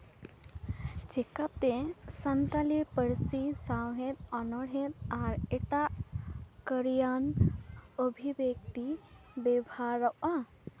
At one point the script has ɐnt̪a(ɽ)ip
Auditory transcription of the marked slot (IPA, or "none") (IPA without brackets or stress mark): l